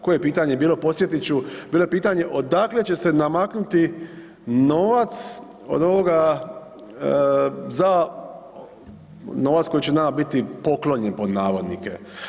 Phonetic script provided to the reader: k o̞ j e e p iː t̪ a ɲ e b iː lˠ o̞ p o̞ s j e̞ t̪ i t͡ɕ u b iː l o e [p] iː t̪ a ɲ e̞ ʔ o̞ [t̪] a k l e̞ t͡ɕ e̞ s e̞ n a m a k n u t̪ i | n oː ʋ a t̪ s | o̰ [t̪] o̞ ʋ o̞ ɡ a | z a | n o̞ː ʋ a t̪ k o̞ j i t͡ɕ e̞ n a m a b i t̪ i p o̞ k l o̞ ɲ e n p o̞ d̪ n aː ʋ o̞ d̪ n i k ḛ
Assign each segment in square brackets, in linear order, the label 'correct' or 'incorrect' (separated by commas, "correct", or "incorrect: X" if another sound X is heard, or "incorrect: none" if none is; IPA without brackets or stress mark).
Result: correct, incorrect: d̪, incorrect: d̪